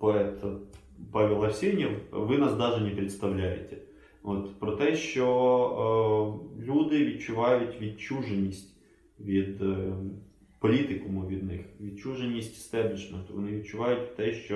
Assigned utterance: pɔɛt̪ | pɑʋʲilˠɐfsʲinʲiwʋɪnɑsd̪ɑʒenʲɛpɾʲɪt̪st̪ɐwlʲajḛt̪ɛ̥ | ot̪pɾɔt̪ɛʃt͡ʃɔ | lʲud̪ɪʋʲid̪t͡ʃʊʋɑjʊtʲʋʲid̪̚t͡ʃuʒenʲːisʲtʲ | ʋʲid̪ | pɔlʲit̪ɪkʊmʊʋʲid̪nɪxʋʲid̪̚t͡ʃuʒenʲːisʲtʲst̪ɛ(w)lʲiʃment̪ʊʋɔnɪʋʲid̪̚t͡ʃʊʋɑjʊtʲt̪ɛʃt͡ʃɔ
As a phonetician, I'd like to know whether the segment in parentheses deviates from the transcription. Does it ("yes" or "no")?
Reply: yes